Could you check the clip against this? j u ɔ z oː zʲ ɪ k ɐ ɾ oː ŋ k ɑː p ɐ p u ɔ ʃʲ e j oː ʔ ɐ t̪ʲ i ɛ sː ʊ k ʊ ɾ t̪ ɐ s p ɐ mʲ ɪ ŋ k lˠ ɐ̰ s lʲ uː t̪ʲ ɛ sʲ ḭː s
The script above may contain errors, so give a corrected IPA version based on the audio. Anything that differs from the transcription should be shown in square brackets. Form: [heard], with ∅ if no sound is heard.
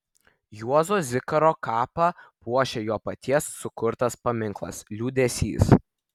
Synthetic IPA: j u ɔ z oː zʲ ɪ k ɐ ɾ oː [∅] k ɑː p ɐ p u ɔ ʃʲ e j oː [p] ɐ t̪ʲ i ɛ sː ʊ k ʊ ɾ t̪ ɐ s p ɐ mʲ ɪ ŋ k lˠ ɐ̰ s lʲ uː [d̪ʲ] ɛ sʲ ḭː s